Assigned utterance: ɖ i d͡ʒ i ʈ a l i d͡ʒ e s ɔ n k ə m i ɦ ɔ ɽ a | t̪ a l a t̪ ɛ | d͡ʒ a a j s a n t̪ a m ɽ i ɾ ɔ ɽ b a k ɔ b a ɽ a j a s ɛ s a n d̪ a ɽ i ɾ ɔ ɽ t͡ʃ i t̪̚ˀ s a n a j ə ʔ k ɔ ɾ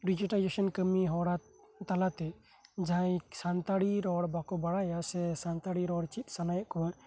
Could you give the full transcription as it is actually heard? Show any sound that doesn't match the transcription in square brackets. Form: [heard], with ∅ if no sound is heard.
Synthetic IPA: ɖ i d͡ʒ i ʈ a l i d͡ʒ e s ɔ n k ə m i ɦ ɔ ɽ a | t̪ a l a t̪ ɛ | d͡ʒ a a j s a n t̪ a [∅] ɽ i ɾ ɔ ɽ b a k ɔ b a ɽ a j a s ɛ s a n [t̪] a ɽ i ɾ ɔ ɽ t͡ʃ i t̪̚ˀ s a n a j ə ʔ k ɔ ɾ